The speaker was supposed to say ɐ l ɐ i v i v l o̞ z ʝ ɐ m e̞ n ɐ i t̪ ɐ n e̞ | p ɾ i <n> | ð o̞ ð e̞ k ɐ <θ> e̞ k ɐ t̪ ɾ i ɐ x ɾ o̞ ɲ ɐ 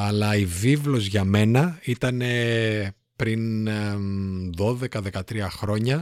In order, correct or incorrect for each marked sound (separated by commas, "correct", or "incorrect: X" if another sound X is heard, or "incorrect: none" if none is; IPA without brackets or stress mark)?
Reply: correct, incorrect: ð